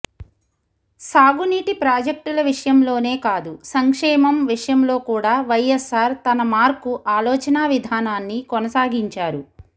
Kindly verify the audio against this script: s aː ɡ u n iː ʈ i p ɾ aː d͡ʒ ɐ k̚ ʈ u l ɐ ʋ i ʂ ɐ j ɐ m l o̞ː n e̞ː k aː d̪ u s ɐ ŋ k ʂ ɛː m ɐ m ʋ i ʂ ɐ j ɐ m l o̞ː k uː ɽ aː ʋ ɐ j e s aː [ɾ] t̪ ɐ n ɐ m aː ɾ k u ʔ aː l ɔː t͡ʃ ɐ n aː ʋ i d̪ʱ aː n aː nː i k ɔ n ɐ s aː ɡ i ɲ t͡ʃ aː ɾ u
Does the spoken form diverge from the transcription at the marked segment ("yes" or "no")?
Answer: no